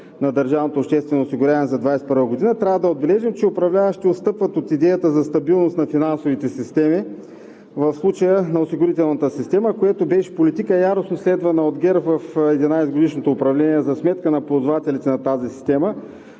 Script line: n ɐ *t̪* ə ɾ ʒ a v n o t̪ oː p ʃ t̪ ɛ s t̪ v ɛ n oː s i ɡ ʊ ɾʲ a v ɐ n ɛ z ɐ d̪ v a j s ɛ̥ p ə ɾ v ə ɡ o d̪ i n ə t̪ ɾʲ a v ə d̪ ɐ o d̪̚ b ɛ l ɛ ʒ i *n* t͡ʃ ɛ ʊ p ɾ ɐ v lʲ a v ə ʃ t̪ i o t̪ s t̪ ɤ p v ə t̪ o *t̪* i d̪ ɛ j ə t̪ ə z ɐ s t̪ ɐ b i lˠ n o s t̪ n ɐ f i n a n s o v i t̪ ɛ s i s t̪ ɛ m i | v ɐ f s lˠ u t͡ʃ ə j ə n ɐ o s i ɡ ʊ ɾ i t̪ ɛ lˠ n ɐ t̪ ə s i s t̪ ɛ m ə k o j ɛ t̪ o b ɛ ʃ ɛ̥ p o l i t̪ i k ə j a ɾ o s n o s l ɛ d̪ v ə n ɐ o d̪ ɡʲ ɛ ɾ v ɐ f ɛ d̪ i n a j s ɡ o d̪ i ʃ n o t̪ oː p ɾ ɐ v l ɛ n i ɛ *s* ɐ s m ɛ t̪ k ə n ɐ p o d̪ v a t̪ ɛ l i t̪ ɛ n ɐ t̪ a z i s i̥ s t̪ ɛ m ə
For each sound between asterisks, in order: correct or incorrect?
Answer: incorrect: d̪, incorrect: m, correct, incorrect: z

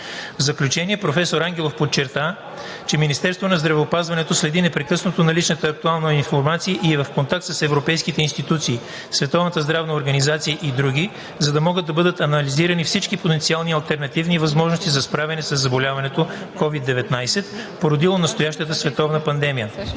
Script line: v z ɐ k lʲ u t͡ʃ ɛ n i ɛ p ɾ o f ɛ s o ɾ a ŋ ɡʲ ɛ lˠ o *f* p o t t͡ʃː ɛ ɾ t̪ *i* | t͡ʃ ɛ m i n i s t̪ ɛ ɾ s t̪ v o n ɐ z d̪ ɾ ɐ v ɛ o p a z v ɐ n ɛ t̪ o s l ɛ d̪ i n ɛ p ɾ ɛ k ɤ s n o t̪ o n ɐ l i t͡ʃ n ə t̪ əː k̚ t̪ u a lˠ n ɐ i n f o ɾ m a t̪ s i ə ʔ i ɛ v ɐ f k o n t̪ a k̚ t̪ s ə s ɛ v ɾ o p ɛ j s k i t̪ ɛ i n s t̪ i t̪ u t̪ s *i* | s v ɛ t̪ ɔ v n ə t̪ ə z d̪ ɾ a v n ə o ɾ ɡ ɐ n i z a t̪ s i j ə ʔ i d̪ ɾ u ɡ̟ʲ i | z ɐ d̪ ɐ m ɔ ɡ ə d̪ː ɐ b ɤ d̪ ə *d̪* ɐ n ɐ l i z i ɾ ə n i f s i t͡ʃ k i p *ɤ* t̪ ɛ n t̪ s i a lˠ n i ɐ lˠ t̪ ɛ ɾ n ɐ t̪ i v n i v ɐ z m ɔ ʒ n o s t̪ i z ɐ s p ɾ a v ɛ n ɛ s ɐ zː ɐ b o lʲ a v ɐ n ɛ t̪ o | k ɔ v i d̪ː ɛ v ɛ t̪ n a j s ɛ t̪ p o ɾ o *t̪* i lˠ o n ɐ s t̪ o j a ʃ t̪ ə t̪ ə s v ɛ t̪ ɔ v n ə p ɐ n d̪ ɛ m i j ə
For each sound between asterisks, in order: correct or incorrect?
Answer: correct, incorrect: a, incorrect: iː, incorrect: t̪, incorrect: o, incorrect: d̪

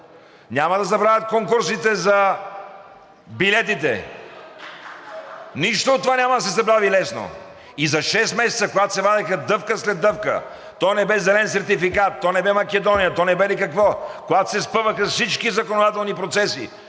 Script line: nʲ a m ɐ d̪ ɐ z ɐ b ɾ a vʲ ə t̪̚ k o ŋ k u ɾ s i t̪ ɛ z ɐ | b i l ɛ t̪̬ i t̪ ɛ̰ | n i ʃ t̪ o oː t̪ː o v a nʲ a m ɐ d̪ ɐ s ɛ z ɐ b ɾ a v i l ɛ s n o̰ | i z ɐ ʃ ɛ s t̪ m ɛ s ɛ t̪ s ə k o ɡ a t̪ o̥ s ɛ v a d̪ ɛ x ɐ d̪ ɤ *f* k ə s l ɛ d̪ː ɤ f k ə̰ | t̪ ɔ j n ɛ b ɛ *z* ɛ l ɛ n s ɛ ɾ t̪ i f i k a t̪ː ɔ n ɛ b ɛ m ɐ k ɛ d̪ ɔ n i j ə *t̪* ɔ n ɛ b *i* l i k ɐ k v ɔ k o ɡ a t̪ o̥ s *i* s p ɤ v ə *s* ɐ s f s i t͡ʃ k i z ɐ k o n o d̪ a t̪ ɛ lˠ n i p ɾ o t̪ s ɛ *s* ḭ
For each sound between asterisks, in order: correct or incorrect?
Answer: correct, correct, correct, incorrect: ɛ, incorrect: ɛ, incorrect: x, correct

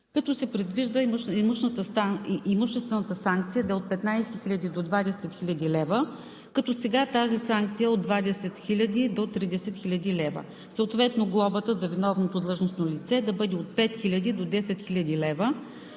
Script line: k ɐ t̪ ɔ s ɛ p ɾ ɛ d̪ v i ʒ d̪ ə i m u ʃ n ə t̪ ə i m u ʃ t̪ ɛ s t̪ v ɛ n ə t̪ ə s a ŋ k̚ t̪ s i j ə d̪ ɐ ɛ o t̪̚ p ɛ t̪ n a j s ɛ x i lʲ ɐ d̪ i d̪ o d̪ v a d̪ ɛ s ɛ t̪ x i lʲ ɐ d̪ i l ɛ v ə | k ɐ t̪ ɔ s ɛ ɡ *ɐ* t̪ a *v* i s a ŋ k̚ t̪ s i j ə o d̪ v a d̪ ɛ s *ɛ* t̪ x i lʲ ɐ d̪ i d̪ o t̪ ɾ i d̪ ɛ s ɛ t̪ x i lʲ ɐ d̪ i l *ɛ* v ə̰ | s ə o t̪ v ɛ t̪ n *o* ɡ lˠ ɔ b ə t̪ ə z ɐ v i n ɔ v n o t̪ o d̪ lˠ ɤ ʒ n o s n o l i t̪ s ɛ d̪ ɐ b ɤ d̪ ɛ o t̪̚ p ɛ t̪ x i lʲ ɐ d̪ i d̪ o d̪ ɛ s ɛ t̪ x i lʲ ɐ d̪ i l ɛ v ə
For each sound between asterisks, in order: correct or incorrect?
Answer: incorrect: a, incorrect: z, correct, correct, correct

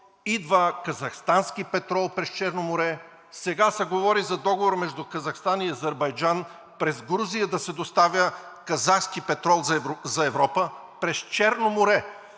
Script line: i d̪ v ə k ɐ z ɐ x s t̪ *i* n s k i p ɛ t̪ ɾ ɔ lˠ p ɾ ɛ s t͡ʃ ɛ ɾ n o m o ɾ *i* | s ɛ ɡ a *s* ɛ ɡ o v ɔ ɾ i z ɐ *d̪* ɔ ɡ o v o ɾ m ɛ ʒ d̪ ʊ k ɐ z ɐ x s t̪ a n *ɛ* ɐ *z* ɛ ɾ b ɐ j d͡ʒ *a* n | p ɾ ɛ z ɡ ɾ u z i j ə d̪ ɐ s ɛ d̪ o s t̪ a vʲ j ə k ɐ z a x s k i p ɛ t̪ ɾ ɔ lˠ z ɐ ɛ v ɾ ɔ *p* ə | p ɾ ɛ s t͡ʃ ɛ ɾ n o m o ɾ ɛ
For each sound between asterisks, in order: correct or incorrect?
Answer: incorrect: a, incorrect: ɛ, correct, correct, incorrect: i, correct, correct, correct

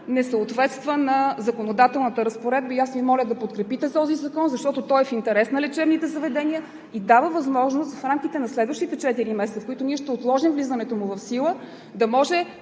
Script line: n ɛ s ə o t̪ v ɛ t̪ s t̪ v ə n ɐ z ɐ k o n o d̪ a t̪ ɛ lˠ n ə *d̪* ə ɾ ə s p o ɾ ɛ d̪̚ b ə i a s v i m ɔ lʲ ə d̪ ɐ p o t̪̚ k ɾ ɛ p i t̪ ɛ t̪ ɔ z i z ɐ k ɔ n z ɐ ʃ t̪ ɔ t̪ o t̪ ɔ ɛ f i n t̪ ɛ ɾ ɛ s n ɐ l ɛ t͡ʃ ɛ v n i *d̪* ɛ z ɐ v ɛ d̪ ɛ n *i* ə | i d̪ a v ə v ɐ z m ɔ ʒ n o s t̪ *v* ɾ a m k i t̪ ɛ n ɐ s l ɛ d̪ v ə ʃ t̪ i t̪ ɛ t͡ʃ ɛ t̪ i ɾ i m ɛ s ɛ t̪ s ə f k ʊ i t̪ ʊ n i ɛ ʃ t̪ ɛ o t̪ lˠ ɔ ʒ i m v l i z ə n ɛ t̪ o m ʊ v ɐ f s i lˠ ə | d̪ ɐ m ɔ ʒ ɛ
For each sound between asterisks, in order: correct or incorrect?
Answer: incorrect: t̪, incorrect: t̪, correct, incorrect: f

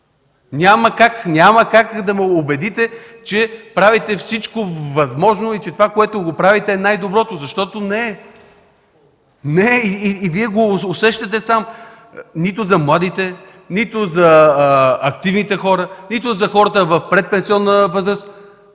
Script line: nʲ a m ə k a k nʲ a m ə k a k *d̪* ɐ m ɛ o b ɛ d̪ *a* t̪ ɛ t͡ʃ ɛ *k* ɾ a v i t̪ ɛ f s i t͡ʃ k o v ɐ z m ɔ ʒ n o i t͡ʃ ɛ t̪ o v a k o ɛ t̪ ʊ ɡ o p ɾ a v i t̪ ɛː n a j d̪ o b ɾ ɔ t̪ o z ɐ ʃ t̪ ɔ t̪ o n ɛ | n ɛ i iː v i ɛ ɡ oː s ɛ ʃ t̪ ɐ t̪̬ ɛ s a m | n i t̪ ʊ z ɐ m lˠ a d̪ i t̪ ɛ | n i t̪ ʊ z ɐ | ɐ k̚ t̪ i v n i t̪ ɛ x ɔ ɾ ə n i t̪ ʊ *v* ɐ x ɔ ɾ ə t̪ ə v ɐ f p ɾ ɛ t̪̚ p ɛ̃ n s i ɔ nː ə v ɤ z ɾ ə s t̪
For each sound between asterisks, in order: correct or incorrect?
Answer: correct, incorrect: i, incorrect: p, incorrect: z

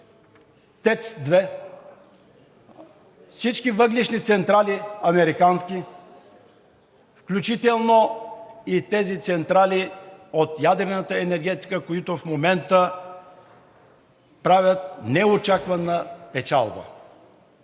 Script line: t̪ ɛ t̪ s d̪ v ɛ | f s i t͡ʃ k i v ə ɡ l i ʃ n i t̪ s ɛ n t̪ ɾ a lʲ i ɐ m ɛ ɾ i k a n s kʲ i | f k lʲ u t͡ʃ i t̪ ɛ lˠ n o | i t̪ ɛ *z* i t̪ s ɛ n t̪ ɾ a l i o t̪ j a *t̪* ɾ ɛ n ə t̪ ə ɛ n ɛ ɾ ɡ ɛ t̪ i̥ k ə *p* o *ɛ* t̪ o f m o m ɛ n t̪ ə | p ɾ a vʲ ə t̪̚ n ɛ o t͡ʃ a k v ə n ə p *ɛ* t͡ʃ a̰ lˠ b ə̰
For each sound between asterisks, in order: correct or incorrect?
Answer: correct, incorrect: d̪, incorrect: k, incorrect: i, correct

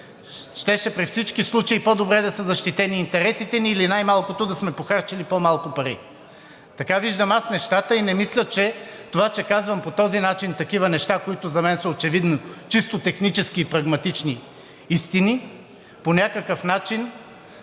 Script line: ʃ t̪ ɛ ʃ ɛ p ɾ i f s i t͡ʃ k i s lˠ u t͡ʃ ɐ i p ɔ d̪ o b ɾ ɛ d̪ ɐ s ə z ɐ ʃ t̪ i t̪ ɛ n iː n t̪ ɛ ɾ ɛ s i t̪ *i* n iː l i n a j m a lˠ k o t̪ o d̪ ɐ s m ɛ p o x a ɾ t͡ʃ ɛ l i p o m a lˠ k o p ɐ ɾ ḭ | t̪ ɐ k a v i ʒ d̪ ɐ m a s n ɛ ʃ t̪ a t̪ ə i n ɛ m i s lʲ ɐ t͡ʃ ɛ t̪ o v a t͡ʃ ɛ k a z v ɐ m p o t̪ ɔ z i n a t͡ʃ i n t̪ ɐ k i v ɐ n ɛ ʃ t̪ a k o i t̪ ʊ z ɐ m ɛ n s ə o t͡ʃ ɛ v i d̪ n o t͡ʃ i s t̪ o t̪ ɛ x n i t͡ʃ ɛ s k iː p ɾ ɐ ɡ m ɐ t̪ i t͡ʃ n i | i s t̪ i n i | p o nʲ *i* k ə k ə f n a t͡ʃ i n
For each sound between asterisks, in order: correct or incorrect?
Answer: incorrect: ɛ, incorrect: a

